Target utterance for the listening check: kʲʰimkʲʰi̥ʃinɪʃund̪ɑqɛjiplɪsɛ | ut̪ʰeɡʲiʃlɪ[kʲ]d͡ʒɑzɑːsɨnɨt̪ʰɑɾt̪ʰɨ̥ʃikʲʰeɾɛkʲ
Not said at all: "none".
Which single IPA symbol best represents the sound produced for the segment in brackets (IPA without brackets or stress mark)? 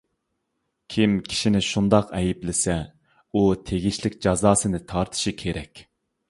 kʲ